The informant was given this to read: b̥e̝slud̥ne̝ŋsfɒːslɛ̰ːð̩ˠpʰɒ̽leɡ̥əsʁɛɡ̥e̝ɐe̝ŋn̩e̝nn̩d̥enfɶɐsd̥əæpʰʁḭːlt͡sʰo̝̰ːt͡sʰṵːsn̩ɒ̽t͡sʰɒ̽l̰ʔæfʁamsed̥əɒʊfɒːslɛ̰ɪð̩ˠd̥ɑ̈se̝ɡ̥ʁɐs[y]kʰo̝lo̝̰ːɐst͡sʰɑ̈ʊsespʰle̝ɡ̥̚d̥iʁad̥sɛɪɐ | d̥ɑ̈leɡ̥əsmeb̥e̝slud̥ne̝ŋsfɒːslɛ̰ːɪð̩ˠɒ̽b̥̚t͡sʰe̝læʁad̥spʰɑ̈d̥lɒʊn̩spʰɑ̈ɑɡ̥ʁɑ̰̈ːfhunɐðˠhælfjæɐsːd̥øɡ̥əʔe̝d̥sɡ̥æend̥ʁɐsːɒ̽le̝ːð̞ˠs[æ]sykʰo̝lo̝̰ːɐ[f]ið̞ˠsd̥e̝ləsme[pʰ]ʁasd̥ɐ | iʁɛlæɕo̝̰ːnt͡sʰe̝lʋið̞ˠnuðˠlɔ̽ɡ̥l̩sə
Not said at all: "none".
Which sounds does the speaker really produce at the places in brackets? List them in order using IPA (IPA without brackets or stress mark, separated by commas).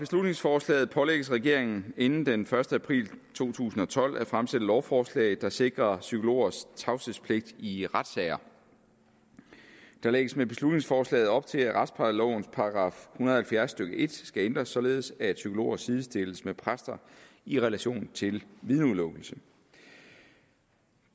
y, æ, s, pʰ